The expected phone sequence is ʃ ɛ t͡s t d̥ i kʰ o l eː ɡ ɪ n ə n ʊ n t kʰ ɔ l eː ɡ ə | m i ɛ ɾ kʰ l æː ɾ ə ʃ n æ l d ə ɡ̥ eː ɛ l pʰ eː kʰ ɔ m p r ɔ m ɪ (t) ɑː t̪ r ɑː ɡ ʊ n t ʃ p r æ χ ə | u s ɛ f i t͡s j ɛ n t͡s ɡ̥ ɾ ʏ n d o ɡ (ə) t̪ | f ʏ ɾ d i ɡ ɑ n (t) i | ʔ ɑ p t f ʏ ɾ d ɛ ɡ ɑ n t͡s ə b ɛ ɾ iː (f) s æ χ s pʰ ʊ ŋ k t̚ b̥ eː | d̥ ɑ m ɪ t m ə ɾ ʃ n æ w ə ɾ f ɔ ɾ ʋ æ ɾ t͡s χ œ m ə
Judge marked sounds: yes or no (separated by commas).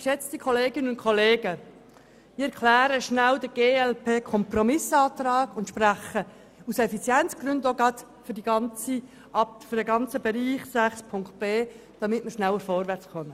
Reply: no, no, no, no